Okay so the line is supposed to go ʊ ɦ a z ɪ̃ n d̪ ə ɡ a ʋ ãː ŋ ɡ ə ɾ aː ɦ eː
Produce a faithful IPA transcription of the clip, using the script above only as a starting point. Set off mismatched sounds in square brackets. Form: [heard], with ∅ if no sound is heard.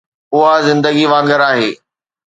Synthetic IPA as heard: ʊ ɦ a z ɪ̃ n d̪ ə ɡ [i] ʋ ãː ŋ ɡ ə ɾ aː ɦ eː

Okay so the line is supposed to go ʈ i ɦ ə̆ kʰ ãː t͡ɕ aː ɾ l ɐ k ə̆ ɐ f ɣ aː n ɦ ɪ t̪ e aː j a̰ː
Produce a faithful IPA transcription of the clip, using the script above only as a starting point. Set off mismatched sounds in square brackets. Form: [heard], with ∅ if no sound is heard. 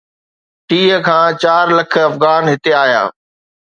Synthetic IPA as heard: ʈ [iː] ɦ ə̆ kʰ ãː t͡ɕ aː ɾ l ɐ [kʰ] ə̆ ɐ f ɣ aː n ɦ ɪ t̪ e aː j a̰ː

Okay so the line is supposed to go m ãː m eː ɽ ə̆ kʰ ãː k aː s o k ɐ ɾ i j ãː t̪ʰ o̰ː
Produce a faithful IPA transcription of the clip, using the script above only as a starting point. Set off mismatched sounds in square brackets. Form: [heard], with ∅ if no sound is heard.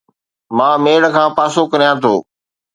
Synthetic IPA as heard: m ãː m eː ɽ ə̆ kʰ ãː [p] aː s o k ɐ ɾ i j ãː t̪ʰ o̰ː

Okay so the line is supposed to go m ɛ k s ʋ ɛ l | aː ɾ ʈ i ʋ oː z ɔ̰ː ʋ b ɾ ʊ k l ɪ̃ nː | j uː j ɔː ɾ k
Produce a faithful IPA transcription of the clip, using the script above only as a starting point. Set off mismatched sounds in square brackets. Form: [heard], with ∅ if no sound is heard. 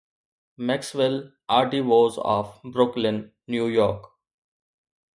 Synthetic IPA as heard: m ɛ k s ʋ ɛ l | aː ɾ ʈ i ʋ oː z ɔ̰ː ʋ b ɾ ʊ k l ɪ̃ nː | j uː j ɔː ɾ k

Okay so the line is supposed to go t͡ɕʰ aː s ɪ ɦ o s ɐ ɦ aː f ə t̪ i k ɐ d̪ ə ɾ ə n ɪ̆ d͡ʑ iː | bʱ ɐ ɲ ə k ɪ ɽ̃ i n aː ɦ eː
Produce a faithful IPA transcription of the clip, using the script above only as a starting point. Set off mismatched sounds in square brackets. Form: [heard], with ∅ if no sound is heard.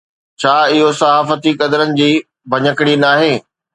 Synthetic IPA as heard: t͡ɕʰ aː [∅] ɪ ɦ o s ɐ ɦ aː f ə t̪ i k ɐ d̪ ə ɾ ə n ɪ̆ d͡ʑ iː | bʱ ɐ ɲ ə k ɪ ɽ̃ i n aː ɦ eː

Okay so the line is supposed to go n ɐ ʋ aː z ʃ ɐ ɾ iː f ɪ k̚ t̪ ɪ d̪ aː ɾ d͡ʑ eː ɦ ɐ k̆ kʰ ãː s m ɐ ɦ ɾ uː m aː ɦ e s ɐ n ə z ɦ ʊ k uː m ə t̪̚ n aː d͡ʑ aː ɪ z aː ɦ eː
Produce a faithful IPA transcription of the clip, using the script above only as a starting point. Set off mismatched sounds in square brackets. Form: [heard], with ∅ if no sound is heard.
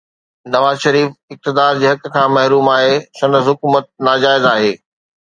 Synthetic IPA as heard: n ɐ ʋ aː z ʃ ɐ ɾ iː f ɪ k̚ t̪ ɪ d̪ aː ɾ d͡ʑ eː ɦ ɐ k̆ kʰ ãː [∅] m ɐ ɦ ɾ uː m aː ɦ e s ɐ n ə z ɦ ʊ k uː m ə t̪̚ n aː d͡ʑ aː ɪ z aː ɦ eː

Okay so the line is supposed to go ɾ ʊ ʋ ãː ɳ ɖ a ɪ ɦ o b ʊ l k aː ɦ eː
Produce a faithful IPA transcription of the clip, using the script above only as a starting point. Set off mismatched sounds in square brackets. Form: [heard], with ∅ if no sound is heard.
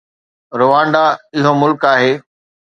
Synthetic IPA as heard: ɾ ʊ ʋ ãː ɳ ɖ a ɪ ɦ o [m] ʊ l k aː ɦ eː

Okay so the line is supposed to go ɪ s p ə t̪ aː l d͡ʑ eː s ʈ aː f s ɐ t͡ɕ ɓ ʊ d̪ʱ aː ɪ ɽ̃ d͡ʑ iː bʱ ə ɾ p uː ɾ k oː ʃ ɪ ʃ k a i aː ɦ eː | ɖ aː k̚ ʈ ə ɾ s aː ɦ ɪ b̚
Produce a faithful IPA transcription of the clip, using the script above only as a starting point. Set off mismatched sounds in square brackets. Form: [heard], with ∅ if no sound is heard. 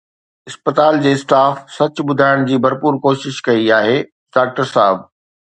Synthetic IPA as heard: ɪ s p ə t̪ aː l d͡ʑ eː s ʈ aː f s ɐ t͡ɕ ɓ ʊ d̪ʱ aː ɪ ɽ̃ d͡ʑ iː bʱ [ɐ] ɾ p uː ɾ k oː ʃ ɪ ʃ k [ɐ] i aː ɦ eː | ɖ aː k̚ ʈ ə ɾ s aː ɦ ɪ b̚

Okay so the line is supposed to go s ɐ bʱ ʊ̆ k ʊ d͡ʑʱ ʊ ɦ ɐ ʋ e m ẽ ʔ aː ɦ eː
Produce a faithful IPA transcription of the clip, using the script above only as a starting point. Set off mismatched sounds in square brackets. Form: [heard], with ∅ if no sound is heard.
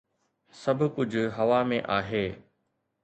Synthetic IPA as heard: s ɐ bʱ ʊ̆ k ʊ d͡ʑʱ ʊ ɦ ɐ ʋ [a] m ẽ ʔ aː ɦ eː

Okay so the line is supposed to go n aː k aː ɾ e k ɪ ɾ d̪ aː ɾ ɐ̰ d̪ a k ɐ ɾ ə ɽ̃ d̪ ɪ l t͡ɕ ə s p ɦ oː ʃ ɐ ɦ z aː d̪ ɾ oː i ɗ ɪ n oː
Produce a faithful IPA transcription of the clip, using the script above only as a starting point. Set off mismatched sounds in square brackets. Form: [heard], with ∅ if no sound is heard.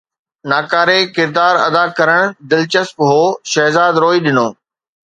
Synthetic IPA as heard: n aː k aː ɾ e k ɪ ɾ d̪ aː ɾ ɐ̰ d̪ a k ɐ ɾ ə ɽ̃ d̪ ɪ l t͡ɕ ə s p ɦ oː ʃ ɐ ɦ z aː d̪ ɾ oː i ɗ ɪ n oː

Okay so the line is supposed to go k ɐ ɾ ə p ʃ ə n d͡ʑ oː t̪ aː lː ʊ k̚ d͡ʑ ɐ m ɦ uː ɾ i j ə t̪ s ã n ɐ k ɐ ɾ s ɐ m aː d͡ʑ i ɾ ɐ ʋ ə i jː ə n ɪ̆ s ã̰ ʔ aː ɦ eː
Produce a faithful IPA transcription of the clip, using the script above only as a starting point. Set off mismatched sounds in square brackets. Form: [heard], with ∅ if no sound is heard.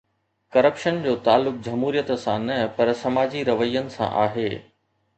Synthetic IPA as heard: k ɐ ɾ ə p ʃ ə n d͡ʑ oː t̪ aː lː ʊ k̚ d͡ʑ ɐ m ɦ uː ɾ i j ə t̪ s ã n ɐ [p] ɐ ɾ s ɐ m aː d͡ʑ i ɾ ɐ ʋ ə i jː ə n ɪ̆ s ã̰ ʔ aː ɦ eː

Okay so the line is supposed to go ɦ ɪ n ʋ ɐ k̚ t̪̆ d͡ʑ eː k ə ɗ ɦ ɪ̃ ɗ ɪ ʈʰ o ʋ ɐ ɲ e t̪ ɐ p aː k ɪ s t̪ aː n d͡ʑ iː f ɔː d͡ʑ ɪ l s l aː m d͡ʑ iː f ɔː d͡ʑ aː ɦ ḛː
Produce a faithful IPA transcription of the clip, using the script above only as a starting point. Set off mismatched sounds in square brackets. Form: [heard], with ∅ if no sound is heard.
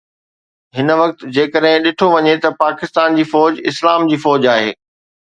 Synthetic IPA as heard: ɦ ɪ n ʋ ɐ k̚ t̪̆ d͡ʑ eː k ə ɗ ɦ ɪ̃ ɗ ɪ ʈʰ o ʋ ɐ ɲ e t̪ ɐ p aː k ɪ s t̪ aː n d͡ʑ iː f ɔː d͡ʑ ɪ [∅] s l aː m d͡ʑ iː f ɔː d͡ʑ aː ɦ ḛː

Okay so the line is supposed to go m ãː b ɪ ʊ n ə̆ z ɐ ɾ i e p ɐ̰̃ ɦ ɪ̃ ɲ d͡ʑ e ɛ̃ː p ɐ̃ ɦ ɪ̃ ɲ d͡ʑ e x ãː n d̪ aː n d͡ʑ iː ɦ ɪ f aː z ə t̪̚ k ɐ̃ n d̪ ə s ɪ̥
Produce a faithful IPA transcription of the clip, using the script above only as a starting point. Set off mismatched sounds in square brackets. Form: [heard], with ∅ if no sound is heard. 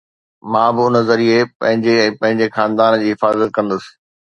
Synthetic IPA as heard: m ãː b ɪ ʊ n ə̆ z ɐ ɾ i e p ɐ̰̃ ɦ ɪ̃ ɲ d͡ʑ e ɛ̃ː p ɐ̃ ɦ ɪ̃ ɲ d͡ʑ e x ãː n d̪ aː n d͡ʑ iː ɦ ɪ f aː z ə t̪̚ k ɐ̃ n d̪ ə s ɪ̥

